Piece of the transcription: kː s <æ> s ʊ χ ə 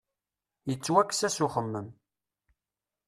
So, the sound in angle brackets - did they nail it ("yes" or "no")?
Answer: yes